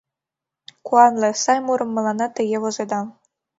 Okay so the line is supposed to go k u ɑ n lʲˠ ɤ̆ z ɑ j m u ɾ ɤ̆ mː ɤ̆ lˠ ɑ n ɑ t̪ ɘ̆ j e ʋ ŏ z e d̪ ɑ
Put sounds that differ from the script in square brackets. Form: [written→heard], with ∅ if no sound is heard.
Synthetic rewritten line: k u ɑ n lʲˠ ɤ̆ [z→s] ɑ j m u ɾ ɤ̆ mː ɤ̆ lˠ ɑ n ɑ t̪ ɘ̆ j e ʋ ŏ z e d̪ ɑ